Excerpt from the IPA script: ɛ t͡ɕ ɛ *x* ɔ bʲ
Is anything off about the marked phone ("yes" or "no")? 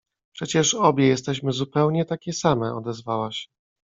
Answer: yes